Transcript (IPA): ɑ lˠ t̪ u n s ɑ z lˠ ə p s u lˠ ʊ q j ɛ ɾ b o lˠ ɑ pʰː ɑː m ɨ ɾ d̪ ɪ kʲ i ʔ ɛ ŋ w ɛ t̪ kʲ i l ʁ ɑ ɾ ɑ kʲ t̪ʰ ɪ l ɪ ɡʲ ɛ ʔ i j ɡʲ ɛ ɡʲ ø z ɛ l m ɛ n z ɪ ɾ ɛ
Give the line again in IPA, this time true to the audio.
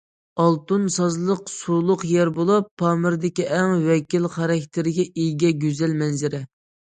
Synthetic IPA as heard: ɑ lˠ t̪ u n s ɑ z lˠ ə q s u lˠ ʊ q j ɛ ɾ b o lˠ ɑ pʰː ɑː m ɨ ɾ d̪ ɪ kʲ i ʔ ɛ ŋ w ɛ kʲ i l χ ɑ ɾ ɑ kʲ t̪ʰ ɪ ɾ ɪ ɡʲ ɛ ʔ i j ɡʲ ɛ ɡʲ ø z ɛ l m ɛ n z ɪ ɾ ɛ